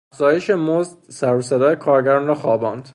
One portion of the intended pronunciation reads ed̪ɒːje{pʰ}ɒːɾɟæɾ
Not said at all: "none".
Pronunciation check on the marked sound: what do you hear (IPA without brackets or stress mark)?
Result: kʰ